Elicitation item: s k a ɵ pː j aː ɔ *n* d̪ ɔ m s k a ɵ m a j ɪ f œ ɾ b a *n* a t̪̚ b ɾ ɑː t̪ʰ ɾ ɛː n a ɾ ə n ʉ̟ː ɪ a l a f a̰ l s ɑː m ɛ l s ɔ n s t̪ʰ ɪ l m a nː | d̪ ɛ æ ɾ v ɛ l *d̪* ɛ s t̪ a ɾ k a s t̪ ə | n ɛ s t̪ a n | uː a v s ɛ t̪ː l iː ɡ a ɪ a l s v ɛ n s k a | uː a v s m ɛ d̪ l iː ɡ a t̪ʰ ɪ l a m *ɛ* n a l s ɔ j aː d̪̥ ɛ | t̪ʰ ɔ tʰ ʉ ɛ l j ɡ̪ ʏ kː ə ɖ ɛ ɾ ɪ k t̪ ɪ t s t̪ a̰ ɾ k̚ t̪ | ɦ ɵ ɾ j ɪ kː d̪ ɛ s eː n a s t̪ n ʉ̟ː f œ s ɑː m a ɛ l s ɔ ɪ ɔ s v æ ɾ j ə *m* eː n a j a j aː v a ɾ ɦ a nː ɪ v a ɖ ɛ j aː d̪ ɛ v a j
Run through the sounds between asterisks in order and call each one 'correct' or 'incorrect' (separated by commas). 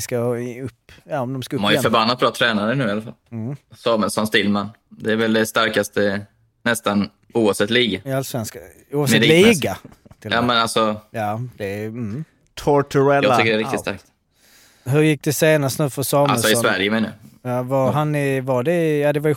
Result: incorrect, incorrect, correct, correct, correct